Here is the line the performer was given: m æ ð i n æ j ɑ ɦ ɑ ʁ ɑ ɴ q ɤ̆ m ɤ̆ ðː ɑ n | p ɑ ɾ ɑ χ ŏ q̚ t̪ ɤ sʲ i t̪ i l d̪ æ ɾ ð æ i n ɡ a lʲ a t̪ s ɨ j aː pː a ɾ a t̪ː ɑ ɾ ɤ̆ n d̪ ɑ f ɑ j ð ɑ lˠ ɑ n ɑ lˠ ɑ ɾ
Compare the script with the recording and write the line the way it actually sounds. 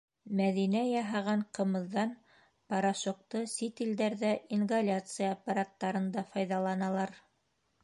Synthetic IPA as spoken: m æ ð i n æ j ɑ ɦ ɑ ʁ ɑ ɴ q ɤ̆ m ɤ̆ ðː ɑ n | p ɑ ɾ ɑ ʃ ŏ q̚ t̪ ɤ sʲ i t̪ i l d̪ æ ɾ ð æ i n ɡ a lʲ a t̪ s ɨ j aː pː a ɾ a t̪ː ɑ ɾ ɤ̆ n d̪ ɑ f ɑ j ð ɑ lˠ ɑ n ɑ lˠ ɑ ɾ